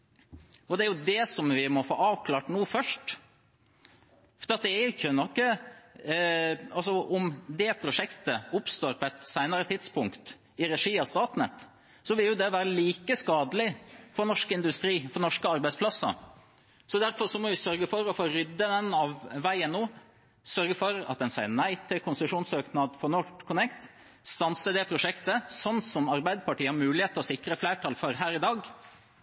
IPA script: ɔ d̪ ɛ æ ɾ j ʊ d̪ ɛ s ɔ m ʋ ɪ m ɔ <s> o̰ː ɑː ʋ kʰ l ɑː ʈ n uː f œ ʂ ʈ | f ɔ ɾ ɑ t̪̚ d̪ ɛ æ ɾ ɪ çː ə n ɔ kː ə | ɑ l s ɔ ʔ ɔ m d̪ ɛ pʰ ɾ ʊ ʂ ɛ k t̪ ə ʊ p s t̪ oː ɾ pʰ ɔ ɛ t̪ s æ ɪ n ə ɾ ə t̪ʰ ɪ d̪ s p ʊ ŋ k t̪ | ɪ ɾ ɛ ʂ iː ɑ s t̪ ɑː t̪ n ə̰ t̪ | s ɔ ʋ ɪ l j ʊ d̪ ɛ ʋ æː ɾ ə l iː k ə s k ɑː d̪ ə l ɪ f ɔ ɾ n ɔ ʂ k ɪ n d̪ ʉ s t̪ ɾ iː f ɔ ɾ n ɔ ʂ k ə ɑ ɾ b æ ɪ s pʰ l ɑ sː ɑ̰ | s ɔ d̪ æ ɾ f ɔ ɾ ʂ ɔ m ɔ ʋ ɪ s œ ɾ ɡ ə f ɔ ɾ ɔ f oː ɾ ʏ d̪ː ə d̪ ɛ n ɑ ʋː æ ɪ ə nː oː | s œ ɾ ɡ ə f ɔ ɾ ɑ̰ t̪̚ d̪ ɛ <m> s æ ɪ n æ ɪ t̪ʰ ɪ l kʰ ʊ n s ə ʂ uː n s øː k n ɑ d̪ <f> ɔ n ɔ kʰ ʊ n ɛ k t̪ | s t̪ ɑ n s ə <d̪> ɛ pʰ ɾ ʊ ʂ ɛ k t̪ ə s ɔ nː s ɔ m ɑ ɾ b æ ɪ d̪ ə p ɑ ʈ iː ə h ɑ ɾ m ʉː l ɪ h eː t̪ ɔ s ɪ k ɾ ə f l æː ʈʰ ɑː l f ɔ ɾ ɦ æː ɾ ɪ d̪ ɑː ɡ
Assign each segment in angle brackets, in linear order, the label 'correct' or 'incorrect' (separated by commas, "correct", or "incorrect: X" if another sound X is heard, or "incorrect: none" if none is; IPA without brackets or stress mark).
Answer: incorrect: f, incorrect: n, correct, correct